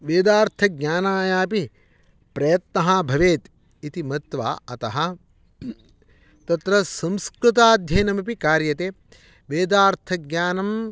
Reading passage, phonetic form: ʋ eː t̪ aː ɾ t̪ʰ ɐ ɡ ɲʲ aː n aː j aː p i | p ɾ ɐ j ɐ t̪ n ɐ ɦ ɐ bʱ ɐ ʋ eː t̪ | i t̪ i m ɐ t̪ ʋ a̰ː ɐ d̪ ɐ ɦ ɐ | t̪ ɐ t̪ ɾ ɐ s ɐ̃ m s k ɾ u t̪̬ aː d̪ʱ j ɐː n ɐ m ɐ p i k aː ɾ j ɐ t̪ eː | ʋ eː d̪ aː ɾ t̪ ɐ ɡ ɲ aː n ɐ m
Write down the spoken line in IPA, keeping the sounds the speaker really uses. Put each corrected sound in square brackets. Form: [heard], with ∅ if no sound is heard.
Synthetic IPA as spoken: ʋ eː [d̪] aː ɾ t̪ʰ ɐ ɡ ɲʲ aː n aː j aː p i | p ɾ ɐ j ɐ t̪ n ɐ ɦ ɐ bʱ ɐ ʋ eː t̪ | i t̪ i m ɐ t̪ ʋ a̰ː ɐ [t̪] ɐ ɦ ɐ | t̪ ɐ t̪ ɾ ɐ s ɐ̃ m s k ɾ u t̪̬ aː d̪ʱ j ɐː n ɐ m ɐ p i k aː ɾ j ɐ t̪ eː | ʋ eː d̪ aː ɾ [t̪ʰ] ɐ ɡ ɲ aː n ɐ m